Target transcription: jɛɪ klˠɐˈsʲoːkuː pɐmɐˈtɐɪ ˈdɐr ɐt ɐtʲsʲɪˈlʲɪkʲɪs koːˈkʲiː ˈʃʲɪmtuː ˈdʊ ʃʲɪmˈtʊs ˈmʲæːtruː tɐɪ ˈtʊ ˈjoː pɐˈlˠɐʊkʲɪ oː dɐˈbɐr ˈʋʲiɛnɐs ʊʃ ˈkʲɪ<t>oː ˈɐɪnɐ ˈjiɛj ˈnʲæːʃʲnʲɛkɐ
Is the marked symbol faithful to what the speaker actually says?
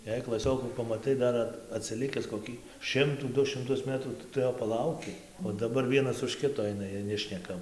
yes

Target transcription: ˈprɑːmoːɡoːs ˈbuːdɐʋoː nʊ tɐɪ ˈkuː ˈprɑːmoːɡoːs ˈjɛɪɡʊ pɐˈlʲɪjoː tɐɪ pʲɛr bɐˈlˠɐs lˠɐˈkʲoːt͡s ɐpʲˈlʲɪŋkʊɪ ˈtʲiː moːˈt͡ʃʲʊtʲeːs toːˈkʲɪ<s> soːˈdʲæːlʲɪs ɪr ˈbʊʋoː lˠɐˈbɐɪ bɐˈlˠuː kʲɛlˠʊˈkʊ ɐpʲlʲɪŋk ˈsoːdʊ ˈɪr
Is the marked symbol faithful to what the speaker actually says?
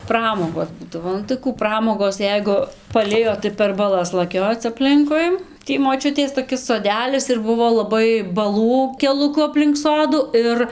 yes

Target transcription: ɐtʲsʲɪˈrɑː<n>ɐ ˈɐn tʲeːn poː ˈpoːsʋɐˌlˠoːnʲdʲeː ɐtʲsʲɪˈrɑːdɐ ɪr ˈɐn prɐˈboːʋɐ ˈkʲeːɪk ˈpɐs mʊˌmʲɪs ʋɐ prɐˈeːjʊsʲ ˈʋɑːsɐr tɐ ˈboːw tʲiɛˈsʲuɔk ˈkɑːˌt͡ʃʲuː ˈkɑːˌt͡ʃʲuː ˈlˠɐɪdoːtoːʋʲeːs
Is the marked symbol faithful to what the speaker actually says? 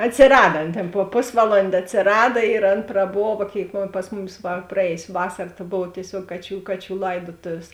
no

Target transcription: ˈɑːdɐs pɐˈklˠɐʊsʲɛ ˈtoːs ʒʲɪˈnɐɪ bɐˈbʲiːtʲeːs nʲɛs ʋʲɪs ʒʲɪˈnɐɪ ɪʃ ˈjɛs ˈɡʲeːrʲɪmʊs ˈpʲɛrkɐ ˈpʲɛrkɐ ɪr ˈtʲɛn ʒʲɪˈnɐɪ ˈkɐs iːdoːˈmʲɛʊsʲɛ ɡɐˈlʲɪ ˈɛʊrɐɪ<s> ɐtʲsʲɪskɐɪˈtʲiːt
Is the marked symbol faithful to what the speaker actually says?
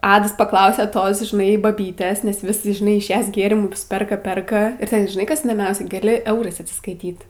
yes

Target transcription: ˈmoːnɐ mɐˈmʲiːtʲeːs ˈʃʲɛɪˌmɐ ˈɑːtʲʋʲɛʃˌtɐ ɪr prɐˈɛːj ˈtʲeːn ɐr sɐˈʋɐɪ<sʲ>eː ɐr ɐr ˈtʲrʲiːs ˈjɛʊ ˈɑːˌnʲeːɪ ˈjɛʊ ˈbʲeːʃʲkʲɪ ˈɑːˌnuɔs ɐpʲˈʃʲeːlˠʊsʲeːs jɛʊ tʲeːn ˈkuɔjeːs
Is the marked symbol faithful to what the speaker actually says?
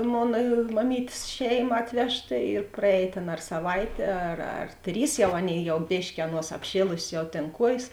no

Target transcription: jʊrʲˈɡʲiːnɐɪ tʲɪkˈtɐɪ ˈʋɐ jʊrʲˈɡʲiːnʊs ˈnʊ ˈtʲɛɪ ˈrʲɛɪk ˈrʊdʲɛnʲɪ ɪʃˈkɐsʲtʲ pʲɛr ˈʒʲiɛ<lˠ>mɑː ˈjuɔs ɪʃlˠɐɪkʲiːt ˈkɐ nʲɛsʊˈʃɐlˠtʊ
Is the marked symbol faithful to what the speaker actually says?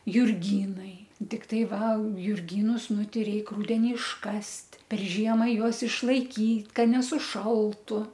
no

